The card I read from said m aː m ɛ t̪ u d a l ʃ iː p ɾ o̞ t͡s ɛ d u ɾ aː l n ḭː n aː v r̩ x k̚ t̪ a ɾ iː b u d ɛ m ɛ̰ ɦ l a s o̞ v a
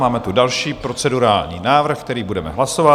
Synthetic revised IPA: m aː m ɛ t̪ u d a l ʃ iː p ɾ o̞ t͡s ɛ d u ɾ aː l ɲ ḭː n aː v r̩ x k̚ t̪ ɛ ɾ iː b u d ɛ m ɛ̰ ɦ l a s o̞ v a